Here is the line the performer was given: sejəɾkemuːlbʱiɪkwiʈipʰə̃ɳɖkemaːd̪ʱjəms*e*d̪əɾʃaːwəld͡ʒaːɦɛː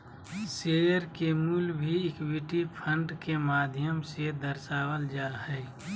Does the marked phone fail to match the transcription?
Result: no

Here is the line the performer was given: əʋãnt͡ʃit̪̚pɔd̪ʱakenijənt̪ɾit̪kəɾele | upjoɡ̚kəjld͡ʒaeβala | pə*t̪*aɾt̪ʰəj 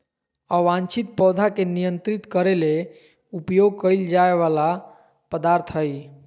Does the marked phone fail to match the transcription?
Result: yes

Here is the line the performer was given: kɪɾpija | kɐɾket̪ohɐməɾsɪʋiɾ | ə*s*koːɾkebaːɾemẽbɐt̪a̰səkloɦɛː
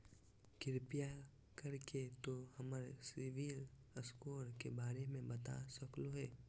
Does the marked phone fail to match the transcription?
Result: no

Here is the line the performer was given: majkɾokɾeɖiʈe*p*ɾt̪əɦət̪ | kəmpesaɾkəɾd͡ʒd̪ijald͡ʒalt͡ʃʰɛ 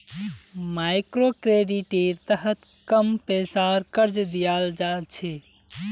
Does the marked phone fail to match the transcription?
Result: yes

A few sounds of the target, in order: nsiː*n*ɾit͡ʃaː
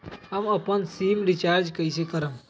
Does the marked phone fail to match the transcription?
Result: yes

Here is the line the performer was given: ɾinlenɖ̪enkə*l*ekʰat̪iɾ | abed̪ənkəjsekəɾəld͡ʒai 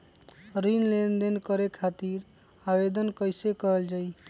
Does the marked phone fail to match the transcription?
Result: yes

